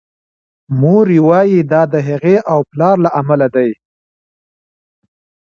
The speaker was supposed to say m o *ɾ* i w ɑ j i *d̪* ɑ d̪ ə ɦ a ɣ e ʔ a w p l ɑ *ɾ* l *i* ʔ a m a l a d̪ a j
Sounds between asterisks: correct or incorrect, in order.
correct, correct, correct, incorrect

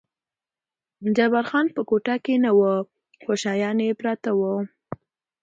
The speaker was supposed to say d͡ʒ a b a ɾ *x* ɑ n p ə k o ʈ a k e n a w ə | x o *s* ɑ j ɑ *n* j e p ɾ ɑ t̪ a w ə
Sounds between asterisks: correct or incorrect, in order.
correct, incorrect, correct

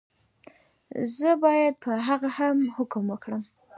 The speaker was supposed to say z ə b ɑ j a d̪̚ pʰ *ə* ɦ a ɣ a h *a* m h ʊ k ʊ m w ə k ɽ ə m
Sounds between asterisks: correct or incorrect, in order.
correct, correct

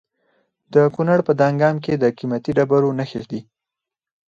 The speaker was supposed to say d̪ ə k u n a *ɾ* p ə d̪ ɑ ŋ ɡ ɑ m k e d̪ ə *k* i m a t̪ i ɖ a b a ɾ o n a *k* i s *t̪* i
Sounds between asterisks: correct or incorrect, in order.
incorrect, correct, incorrect, incorrect

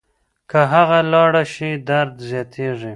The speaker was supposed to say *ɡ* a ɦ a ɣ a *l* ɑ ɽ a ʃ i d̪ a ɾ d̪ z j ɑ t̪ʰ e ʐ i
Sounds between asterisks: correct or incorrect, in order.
incorrect, correct

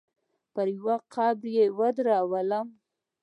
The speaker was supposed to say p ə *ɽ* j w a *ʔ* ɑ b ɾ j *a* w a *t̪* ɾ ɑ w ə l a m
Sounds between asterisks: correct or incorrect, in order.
incorrect, incorrect, incorrect, incorrect

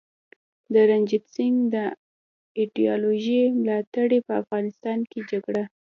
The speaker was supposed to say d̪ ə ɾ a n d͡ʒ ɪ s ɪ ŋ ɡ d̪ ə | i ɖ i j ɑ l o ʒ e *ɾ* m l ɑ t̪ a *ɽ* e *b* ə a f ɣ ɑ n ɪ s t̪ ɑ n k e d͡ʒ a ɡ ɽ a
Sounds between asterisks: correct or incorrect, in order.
incorrect, correct, incorrect

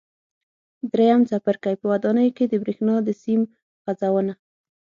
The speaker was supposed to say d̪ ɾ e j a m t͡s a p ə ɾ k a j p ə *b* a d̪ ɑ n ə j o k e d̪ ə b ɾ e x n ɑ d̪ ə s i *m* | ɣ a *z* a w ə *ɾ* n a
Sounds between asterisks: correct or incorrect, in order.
incorrect, correct, correct, incorrect

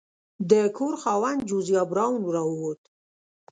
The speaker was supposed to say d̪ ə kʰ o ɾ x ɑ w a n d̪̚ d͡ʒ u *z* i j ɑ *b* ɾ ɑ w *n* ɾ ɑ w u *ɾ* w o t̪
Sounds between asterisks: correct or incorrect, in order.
correct, correct, correct, incorrect

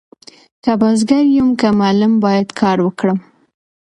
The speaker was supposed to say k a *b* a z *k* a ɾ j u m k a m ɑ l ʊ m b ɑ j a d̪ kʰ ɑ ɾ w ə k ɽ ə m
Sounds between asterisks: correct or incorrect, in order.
correct, incorrect

